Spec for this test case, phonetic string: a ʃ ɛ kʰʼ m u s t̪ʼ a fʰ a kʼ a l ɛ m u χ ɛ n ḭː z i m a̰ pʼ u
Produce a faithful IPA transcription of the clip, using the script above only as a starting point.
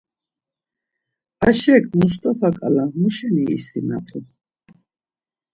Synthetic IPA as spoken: a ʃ ɛ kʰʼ m u s t̪ʼ a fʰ a kʼ a l a m u ʃ ɛ n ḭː s i n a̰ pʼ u